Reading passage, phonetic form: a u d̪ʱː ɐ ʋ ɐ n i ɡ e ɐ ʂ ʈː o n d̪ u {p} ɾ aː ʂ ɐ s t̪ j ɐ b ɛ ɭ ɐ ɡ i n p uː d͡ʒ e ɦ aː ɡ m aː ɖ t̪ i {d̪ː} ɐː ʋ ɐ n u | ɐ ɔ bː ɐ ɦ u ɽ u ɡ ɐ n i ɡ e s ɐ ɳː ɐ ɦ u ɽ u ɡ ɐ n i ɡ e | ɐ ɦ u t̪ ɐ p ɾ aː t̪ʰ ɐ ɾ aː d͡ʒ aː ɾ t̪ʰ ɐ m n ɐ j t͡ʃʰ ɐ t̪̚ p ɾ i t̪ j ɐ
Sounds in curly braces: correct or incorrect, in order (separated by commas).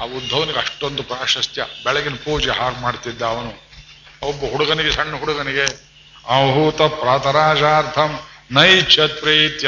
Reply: correct, correct